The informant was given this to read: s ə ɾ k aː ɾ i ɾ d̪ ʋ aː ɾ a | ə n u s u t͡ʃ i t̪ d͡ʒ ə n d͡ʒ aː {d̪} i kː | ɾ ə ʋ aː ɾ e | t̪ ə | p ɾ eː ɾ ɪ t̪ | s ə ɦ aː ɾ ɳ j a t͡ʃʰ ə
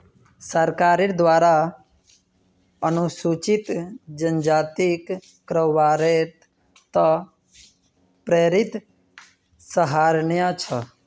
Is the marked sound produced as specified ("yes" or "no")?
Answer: no